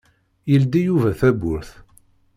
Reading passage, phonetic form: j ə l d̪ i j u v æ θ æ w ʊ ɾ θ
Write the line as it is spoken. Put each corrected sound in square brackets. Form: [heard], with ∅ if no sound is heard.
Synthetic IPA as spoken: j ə l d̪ i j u v æ θ æ [b] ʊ ɾ θ